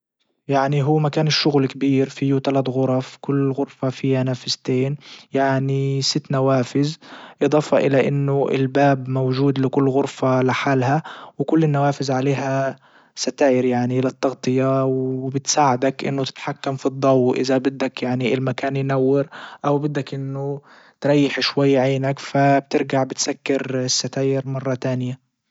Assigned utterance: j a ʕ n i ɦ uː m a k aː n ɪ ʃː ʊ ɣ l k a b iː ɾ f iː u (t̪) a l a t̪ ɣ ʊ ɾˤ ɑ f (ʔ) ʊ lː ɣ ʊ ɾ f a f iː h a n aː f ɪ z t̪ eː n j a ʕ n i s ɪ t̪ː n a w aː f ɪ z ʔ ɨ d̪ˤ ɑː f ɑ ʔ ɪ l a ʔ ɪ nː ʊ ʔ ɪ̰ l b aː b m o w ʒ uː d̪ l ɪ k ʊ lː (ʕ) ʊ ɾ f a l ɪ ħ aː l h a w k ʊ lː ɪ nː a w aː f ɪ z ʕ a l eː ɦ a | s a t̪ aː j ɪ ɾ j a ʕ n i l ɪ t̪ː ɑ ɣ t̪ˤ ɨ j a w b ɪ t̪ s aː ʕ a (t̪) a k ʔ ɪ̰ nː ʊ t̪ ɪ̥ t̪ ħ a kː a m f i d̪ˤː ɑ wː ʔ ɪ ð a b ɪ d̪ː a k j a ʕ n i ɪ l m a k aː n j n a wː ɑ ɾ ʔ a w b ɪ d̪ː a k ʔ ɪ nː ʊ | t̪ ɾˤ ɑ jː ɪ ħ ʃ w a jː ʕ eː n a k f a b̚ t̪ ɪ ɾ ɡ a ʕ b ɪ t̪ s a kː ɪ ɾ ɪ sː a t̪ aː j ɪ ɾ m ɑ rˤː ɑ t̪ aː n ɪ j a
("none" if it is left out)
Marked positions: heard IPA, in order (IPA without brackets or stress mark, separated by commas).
t̪, k, ɣ, d̪